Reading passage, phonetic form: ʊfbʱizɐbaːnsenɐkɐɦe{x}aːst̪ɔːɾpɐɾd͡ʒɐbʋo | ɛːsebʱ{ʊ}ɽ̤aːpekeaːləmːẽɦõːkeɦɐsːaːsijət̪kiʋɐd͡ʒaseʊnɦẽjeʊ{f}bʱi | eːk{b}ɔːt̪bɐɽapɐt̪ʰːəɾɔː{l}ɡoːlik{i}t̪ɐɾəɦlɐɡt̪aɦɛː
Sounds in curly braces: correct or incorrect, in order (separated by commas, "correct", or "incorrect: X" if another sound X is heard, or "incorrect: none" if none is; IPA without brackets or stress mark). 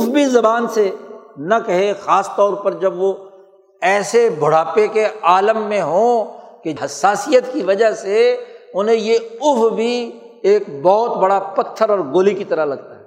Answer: correct, correct, correct, correct, incorrect: ɾ, correct